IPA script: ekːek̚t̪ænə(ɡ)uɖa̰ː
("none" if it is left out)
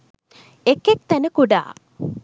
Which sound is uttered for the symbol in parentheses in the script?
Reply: k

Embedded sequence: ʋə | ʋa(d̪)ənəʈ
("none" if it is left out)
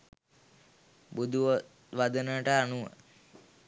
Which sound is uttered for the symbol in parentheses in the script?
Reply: d̪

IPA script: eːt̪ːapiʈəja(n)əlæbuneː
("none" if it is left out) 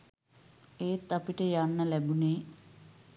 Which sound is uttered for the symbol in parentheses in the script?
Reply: nː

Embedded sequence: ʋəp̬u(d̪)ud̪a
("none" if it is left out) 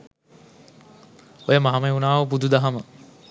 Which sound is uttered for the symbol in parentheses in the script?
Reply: d̪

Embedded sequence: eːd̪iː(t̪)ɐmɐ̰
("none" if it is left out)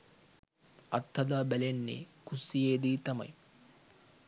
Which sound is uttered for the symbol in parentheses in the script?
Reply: t̪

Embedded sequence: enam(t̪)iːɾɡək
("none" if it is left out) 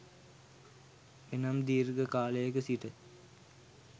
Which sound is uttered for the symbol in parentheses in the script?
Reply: d̪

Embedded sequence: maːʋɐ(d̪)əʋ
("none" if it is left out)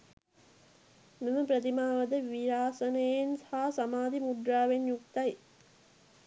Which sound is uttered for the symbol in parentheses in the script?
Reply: d̪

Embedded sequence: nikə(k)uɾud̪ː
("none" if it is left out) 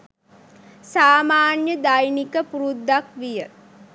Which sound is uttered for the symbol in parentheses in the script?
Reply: p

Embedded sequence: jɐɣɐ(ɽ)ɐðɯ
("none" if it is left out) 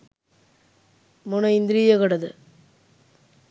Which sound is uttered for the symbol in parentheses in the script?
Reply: ɽ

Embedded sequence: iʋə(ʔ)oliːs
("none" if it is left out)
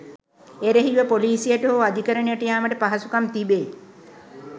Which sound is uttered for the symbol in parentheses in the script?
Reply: p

